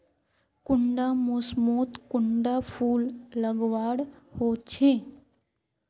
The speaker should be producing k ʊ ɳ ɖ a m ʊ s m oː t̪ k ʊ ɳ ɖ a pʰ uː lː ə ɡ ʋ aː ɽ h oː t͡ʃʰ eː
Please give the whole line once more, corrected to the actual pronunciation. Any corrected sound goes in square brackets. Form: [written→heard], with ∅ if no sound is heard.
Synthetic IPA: k ʊ ɳ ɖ a m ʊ s m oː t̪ k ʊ ɳ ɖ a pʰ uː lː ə ɡ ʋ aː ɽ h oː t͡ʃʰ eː